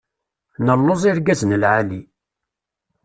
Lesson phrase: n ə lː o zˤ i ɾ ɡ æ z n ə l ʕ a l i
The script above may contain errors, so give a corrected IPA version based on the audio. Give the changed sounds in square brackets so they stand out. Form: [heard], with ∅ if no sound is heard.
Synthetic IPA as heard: n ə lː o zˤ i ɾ ɡ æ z n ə l ʕ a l i